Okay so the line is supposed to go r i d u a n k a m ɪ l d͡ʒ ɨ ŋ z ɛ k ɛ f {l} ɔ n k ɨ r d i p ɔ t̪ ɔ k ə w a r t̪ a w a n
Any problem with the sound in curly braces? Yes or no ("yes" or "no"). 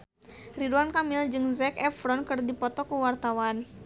yes